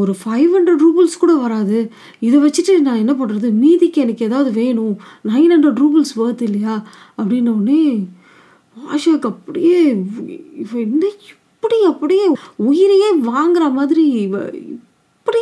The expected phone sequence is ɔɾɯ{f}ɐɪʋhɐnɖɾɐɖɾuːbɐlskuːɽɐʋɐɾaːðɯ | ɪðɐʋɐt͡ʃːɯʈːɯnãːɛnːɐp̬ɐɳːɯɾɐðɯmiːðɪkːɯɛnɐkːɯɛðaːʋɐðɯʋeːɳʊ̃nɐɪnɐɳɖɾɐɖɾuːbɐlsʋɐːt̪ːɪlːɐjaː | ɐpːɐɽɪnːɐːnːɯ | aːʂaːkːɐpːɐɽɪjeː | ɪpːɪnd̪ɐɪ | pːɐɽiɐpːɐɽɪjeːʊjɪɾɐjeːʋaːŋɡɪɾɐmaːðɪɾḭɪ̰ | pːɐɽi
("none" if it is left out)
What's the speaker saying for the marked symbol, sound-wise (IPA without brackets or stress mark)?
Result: f